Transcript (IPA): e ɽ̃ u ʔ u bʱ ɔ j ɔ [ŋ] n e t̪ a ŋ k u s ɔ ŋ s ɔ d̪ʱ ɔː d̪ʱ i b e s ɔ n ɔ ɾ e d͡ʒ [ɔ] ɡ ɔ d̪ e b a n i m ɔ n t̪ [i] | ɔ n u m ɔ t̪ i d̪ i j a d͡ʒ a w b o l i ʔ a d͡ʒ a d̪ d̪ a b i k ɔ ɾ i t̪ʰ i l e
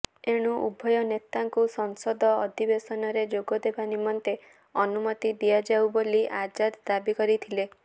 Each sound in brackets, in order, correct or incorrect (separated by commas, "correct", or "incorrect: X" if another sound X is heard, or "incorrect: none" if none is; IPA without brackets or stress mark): incorrect: none, incorrect: o, incorrect: e